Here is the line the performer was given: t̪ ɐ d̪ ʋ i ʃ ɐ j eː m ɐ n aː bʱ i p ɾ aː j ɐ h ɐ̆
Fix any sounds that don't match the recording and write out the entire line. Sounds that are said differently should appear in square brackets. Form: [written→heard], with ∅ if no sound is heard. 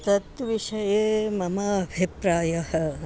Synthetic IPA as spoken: t̪ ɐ [d̪→t̪] ʋ i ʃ ɐ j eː m ɐ [n→m] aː bʱ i p ɾ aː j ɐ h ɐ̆

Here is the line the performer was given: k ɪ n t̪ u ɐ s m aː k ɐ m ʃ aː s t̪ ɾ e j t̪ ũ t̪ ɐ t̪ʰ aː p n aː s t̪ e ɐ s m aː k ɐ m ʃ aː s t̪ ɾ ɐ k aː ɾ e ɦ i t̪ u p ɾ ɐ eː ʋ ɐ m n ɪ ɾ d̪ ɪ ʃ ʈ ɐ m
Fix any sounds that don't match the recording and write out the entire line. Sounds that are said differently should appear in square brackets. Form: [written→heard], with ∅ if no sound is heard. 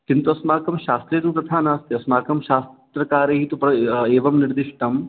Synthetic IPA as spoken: k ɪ n t̪ u ɐ s m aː k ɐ m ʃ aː s t̪ ɾ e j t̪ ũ t̪ ɐ t̪ʰ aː [p→∅] n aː s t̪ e ɐ s m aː k ɐ m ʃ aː s t̪ ɾ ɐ k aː ɾ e ɦ i t̪ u p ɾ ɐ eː ʋ ɐ m n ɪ ɾ d̪ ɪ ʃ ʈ ɐ m

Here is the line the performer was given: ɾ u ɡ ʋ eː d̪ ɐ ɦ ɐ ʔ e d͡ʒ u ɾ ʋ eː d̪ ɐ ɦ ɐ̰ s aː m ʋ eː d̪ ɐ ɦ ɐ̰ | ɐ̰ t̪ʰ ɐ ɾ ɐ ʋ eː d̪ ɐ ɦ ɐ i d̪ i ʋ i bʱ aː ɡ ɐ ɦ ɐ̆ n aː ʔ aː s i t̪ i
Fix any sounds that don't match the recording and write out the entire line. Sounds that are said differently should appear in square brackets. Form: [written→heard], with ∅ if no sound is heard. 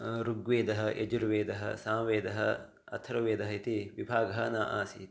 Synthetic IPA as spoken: ɾ u ɡ ʋ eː d̪ ɐ ɦ ɐ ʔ e d͡ʒ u ɾ ʋ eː d̪ ɐ ɦ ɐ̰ s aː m ʋ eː d̪ ɐ ɦ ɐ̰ | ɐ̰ t̪ʰ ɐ ɾ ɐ ʋ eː d̪ ɐ ɦ ɐ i [d̪→t̪] i ʋ i bʱ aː ɡ ɐ ɦ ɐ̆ n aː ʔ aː s i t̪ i

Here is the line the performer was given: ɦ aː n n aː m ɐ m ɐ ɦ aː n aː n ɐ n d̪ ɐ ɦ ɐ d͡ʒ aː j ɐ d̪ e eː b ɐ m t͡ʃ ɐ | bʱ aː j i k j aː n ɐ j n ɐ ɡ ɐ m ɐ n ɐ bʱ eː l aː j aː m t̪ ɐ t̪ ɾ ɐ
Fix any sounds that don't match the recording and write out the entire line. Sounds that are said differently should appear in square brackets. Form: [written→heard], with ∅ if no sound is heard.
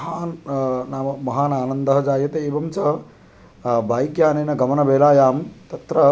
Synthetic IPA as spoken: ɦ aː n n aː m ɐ m ɐ ɦ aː n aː n ɐ n d̪ ɐ ɦ ɐ d͡ʒ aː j ɐ [d̪→t̪] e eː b ɐ m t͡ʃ ɐ | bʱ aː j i k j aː n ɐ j n ɐ ɡ ɐ m ɐ n ɐ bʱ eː l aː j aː m t̪ ɐ t̪ ɾ ɐ

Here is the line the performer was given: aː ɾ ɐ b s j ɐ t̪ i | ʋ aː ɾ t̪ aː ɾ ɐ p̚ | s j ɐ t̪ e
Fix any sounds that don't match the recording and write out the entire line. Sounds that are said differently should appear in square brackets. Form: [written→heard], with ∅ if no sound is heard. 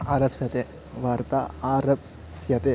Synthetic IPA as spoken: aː ɾ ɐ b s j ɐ t̪ [i→e] | ʋ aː ɾ t̪ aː ɾ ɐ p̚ | s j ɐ t̪ e

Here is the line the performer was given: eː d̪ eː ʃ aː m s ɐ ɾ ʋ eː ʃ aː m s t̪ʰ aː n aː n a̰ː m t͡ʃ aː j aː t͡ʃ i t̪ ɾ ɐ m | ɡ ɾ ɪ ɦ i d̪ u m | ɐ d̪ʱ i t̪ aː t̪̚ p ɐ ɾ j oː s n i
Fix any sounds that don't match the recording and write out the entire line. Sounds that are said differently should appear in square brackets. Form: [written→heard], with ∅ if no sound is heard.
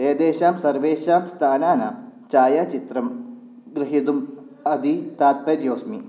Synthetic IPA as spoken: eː d̪ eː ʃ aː m s ɐ ɾ ʋ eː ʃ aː m s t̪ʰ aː n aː n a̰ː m t͡ʃ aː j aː t͡ʃ i t̪ ɾ ɐ m | ɡ ɾ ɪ ɦ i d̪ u m | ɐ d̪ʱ i t̪ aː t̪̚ p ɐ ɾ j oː s [n→m] i

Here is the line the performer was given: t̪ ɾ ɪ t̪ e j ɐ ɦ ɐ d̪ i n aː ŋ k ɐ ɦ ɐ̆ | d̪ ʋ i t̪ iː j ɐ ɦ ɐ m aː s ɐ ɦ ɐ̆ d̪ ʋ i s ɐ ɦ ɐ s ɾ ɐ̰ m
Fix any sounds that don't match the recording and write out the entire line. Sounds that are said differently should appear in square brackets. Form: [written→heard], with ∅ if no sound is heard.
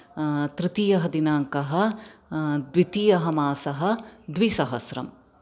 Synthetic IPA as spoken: t̪ ɾ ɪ t̪ [e→i] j ɐ ɦ ɐ d̪ i n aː ŋ k ɐ ɦ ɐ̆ | d̪ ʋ i t̪ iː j ɐ ɦ ɐ m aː s ɐ ɦ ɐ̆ d̪ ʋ i s ɐ ɦ ɐ s ɾ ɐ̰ m

